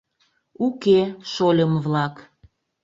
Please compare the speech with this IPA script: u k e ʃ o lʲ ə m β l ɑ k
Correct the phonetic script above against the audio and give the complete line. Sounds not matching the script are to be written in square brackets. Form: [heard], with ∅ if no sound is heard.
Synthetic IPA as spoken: u k e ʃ o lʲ ə m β l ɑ k